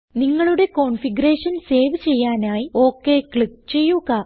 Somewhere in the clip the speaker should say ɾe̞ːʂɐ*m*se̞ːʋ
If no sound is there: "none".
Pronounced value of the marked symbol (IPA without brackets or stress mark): n